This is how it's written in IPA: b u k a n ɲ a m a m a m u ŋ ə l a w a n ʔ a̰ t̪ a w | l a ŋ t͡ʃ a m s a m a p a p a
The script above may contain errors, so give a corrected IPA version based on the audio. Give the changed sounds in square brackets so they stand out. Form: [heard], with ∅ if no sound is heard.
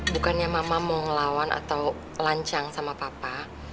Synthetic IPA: b u k a n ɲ a m a m a m [ɔ] ŋ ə l a w a n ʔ a̰ t̪ a w | l a [ɲ] t͡ʃ a [ŋ] s a m a p a p a